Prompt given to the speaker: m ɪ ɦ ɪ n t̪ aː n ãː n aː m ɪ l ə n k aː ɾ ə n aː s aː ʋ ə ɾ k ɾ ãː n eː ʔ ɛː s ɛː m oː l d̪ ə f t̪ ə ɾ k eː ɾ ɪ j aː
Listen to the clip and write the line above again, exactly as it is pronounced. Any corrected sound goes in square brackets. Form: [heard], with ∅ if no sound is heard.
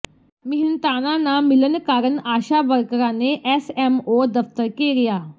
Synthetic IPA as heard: m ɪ ɦ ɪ n t̪ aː n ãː n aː m ɪ l ə n k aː ɾ ə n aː [ʃ] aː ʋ ə ɾ k ɾ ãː n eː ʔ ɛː s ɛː m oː [∅] d̪ ə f t̪ ə ɾ k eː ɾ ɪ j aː